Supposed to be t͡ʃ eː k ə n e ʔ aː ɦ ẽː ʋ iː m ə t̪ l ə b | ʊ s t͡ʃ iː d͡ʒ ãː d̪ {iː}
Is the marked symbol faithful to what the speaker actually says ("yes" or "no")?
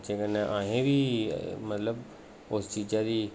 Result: yes